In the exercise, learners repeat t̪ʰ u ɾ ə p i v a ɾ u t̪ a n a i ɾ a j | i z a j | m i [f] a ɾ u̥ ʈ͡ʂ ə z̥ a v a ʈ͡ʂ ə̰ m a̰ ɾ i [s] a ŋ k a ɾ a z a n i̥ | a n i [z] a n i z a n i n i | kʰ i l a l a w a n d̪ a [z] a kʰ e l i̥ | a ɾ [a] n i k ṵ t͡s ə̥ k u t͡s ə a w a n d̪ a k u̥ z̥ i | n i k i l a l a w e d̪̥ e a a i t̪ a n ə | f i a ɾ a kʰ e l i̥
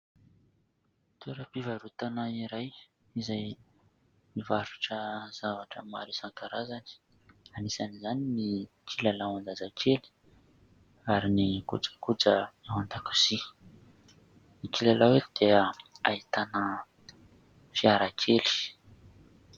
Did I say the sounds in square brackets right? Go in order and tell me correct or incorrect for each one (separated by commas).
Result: incorrect, correct, incorrect, correct, incorrect